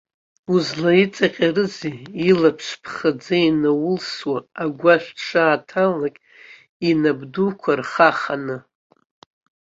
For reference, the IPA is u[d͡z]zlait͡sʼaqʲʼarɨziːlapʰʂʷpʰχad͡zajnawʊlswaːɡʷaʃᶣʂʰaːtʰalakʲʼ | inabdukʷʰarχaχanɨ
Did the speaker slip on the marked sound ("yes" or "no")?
yes